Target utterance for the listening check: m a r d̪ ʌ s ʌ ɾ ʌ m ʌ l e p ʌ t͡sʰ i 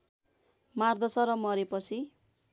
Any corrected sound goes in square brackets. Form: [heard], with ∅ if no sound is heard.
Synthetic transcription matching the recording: m a r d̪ ʌ s ʌ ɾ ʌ m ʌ [ɾ] e p ʌ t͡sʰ i